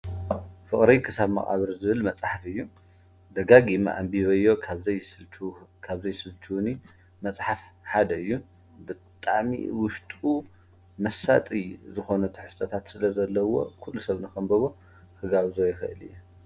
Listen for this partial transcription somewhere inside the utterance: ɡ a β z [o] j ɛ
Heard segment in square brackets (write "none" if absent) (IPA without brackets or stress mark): o